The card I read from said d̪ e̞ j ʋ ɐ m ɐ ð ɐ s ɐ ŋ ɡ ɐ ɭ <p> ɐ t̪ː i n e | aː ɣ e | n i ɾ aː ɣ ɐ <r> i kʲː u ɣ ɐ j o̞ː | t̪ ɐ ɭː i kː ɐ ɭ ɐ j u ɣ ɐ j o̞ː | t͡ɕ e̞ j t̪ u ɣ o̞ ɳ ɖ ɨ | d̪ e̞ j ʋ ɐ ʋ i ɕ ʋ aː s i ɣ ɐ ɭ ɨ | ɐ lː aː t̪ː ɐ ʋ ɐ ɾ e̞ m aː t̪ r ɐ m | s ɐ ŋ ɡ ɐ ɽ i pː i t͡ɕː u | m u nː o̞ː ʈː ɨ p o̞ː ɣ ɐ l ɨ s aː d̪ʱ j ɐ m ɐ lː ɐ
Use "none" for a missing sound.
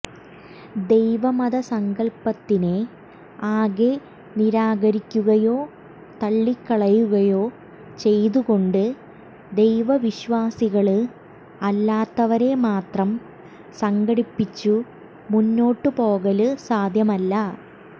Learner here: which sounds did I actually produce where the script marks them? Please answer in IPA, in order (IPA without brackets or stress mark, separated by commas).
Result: p, ɾ